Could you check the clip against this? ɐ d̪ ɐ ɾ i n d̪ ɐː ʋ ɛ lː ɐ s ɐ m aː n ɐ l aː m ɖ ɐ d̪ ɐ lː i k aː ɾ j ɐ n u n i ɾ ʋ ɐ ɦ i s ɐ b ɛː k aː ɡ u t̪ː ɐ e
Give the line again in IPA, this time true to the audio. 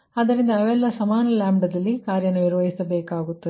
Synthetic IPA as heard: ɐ d̪ ɐ ɾ i n d̪ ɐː ʋ ɛ lː ɐ s ɐ m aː n ɐ l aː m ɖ ɐ d̪ ɐ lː i k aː ɾ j ɐ n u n i ɾ ʋ ɐ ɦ i s ɐ b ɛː k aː ɡ u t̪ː ɐ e